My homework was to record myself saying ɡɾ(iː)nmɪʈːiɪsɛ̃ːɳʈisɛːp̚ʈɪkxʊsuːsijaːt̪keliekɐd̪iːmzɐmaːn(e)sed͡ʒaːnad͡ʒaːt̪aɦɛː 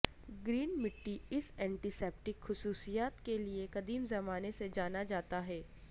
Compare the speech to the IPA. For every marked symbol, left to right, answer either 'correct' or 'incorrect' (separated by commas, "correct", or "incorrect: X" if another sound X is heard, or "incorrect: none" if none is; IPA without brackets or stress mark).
correct, correct